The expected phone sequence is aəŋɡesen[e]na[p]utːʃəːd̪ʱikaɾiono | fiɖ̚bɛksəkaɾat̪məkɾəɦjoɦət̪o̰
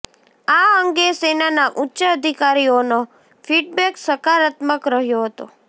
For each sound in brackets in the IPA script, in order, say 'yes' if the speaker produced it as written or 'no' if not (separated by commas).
no, no